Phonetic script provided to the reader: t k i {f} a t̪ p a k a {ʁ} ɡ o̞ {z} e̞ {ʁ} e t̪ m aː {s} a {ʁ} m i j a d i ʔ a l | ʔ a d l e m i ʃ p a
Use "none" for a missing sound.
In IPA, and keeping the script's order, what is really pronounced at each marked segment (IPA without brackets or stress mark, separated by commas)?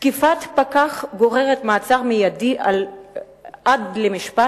f, χ, ʁ, ʁ, t͡s, ʁ